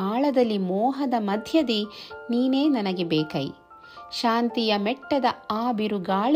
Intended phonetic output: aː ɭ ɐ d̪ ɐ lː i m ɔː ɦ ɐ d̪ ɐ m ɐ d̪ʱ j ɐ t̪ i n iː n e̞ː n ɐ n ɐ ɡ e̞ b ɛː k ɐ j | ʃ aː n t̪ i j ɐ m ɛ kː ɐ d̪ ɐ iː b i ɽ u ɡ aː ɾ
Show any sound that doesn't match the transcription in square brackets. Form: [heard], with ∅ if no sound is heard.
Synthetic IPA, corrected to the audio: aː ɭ ɐ d̪ ɐ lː i m ɔː ɦ ɐ d̪ ɐ m ɐ d̪ʱ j ɐ [d̪] i n iː n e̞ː n ɐ n ɐ ɡ e̞ b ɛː k ɐ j | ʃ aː n t̪ i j ɐ m ɛ [ʈː] ɐ d̪ ɐ [aː] b i [ɾ] u ɡ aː [ɭ]